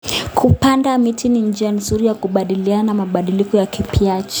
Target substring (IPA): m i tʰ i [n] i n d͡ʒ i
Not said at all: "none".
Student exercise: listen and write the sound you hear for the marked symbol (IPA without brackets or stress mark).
n